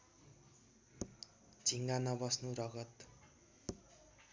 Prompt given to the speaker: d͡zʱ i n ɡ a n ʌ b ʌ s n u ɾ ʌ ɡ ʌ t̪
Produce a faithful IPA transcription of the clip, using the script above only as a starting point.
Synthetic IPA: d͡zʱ i ŋ ɡ a n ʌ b ʌ s n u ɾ ʌ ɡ ʌ t̪